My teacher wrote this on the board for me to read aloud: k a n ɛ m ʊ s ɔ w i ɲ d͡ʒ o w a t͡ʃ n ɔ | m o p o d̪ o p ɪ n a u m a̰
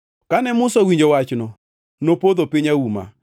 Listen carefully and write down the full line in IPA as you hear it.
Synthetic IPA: k a n ɛ m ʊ s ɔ w i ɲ d͡ʒ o w a t͡ʃ n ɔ | n o p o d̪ o p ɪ ɲ a u m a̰